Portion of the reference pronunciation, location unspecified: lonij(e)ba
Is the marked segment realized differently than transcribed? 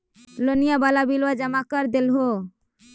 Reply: yes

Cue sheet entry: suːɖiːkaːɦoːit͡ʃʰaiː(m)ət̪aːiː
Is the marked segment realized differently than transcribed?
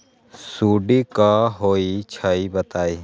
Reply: yes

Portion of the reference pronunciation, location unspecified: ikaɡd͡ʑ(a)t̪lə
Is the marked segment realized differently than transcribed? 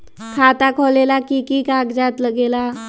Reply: no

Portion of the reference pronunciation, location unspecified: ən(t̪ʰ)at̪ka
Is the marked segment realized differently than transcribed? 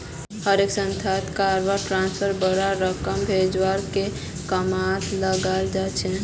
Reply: no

